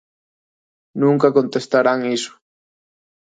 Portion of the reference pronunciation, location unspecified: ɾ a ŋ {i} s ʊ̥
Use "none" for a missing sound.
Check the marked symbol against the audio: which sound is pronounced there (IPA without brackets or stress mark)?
i